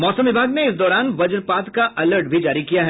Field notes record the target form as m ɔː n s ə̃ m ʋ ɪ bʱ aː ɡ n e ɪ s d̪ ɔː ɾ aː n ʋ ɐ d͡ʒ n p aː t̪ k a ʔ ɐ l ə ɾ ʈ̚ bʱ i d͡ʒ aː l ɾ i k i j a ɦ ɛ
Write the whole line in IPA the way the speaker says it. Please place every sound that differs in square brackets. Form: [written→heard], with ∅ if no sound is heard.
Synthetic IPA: m ɔː [n→∅] s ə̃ m ʋ ɪ bʱ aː ɡ n e ɪ s d̪ ɔː ɾ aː n ʋ ɐ d͡ʒ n p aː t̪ k a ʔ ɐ l ə ɾ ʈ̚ bʱ i d͡ʒ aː [l→∅] ɾ i k i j a ɦ ɛ